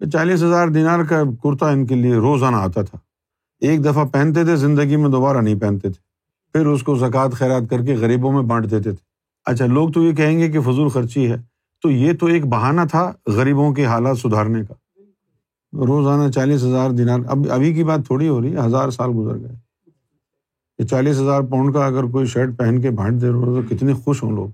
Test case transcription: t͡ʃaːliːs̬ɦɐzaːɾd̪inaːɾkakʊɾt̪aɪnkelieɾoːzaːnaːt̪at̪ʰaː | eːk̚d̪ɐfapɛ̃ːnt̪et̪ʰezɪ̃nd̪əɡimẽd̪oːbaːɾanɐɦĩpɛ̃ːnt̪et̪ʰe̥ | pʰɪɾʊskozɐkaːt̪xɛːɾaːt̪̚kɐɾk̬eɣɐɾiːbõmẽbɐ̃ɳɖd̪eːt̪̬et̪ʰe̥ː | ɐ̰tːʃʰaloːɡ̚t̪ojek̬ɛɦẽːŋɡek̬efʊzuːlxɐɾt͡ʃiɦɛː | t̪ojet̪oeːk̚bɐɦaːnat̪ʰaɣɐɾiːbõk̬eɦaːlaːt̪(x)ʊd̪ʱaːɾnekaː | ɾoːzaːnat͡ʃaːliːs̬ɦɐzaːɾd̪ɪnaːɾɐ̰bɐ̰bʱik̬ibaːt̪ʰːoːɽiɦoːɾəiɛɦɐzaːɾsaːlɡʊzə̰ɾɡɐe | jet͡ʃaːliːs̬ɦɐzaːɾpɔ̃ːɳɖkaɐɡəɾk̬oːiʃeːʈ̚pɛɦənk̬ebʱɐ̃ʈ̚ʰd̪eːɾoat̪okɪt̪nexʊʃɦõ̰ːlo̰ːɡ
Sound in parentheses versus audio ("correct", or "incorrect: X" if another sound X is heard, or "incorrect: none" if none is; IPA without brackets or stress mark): incorrect: s